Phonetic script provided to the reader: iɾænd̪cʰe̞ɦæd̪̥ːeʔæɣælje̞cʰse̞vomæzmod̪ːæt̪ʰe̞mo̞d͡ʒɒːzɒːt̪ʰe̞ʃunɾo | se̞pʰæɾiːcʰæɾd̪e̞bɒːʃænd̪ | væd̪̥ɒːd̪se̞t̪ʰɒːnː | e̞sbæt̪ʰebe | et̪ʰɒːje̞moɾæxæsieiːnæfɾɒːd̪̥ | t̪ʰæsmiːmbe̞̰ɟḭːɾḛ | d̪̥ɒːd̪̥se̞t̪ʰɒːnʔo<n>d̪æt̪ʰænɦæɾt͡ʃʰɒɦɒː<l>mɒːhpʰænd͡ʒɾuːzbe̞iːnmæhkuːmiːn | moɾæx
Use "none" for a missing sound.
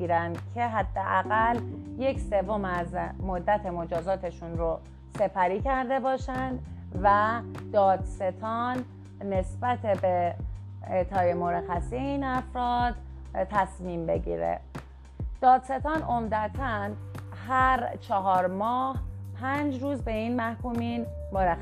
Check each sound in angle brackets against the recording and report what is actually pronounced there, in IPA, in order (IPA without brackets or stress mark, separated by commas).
m, ɾ